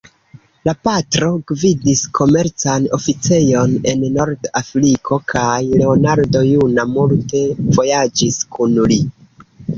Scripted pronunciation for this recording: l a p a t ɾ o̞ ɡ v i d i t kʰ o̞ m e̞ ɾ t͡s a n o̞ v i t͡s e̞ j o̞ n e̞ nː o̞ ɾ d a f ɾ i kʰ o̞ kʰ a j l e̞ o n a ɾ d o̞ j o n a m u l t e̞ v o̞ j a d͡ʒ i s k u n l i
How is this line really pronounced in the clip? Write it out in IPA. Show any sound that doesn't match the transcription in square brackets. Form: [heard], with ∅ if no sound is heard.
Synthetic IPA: l a p a t ɾ o̞ ɡ v i d i [s] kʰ o̞ m e̞ ɾ t͡s a n o̞ [f] i t͡s e̞ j o̞ n e̞ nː o̞ ɾ d a f ɾ i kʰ o̞ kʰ a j l e̞ o n a ɾ d o̞ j [u] n a m u l t e̞ v o̞ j a d͡ʒ i s k u n l i